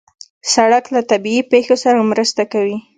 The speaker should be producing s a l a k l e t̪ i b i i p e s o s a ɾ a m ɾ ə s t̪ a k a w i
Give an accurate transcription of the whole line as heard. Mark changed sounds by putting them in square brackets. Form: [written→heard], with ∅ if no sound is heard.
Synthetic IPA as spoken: s a [l→ɽ] a k l [e→a] t̪ [i→a] b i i p e [s→x] o s a ɾ a m ɾ ə s t̪ a k a w i